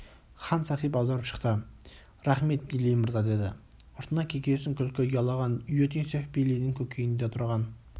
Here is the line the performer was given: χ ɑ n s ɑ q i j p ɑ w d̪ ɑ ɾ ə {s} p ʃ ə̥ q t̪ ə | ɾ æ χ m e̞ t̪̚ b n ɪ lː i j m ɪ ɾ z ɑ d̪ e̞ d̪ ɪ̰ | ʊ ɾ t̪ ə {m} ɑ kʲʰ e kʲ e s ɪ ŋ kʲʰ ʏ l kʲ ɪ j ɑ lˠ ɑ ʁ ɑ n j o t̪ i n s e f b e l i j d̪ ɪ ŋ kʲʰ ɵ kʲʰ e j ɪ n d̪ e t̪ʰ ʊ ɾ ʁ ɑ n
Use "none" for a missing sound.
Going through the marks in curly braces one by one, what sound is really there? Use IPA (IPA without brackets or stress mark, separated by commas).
none, n